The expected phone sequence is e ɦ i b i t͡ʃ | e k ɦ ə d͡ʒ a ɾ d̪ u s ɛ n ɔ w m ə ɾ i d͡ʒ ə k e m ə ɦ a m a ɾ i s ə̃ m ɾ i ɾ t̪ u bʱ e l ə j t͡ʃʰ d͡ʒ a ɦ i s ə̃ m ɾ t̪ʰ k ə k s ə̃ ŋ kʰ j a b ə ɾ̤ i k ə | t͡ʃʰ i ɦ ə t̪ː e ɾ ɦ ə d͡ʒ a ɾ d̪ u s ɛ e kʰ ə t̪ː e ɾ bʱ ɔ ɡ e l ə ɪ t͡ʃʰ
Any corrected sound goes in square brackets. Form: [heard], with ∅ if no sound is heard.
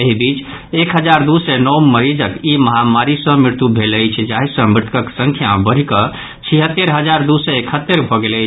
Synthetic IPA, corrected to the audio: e ɦ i b i t͡ʃ | e k ɦ ə d͡ʒ a ɾ d̪ u s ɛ n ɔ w m ə ɾ i d͡ʒ ə k [i] m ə ɦ a m a ɾ i s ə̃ m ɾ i ɾ t̪ u bʱ e l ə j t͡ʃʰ d͡ʒ a ɦ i s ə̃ m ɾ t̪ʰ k ə k s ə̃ ŋ kʰ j a b ə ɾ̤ i k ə | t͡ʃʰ i ɦ ə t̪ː e ɾ ɦ ə d͡ʒ a ɾ d̪ u s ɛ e kʰ ə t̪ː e ɾ bʱ ɔ ɡ e l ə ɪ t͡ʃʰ